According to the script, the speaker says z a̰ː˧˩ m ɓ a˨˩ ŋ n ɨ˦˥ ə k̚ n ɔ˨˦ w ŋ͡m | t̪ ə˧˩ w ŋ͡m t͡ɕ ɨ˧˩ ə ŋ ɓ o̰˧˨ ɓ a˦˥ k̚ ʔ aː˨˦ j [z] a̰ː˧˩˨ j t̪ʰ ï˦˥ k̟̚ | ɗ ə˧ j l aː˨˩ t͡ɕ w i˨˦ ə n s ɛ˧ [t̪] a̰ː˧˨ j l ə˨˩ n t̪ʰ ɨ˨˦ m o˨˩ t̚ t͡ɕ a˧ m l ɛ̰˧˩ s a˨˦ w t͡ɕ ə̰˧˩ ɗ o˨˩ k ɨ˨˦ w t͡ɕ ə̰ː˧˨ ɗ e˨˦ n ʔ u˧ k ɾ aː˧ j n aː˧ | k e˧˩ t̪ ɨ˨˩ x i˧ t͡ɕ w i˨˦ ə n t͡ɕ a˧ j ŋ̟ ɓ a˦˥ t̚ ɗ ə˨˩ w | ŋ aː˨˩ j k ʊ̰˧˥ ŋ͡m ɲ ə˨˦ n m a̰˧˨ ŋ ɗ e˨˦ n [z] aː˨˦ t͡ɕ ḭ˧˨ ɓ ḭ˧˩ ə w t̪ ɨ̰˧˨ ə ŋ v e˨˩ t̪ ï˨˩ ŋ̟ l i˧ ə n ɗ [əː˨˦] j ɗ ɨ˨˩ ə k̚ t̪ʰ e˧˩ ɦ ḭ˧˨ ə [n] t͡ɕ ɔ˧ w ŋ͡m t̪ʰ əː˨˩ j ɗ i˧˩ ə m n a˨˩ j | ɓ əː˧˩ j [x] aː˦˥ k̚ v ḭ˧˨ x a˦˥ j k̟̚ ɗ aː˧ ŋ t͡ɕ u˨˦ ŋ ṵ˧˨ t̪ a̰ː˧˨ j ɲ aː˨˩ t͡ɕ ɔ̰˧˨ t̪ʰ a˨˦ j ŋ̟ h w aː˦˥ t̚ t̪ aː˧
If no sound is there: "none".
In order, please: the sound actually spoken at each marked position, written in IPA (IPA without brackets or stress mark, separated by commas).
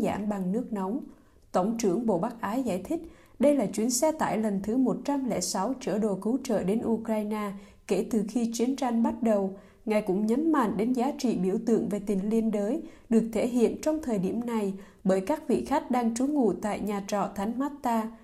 z, t̪, z, əː˨˦, n, k